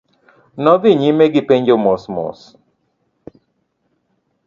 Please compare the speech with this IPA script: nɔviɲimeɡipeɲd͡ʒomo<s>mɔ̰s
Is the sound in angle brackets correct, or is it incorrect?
correct